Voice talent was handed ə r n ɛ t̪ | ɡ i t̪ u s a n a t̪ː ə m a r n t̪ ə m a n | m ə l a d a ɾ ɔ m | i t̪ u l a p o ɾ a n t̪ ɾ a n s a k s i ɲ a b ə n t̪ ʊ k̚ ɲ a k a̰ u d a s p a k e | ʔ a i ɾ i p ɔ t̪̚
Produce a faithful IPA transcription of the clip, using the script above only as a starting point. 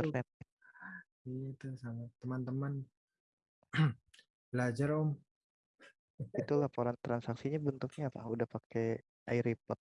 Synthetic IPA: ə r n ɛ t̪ | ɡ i t̪ u s a ŋ a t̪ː ə m a n t̪ ə m a n | b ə l a d͡ʒ a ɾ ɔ m | i t̪ u l a p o ɾ a n t̪ ɾ a n s a k s i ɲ a b ə n t̪ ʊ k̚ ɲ a p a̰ u d a h p a k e | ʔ a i ɾ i p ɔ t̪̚